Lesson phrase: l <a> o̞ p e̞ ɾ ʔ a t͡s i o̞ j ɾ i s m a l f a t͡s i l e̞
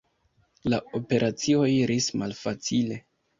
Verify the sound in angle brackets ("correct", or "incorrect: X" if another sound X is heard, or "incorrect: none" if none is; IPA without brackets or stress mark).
correct